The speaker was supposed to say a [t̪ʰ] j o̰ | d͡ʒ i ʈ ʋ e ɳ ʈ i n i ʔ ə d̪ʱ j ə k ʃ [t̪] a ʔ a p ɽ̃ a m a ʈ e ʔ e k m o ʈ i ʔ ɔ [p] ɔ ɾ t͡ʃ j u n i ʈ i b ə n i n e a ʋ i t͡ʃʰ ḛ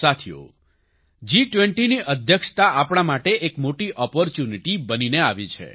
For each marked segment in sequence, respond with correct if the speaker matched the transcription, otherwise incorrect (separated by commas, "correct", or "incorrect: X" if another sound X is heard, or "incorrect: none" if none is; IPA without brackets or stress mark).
correct, correct, correct